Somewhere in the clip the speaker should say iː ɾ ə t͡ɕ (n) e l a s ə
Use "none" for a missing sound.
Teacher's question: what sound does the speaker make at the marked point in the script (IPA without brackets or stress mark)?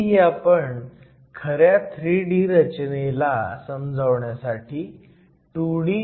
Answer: n